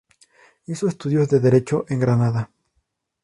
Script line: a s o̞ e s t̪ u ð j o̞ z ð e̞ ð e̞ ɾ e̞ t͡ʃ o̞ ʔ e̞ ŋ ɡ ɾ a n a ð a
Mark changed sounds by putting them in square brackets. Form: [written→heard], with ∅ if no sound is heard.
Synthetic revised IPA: [a→i] s o̞ e s t̪ u ð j o̞ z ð e̞ ð e̞ ɾ e̞ t͡ʃ o̞ ʔ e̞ ŋ ɡ ɾ a n a ð a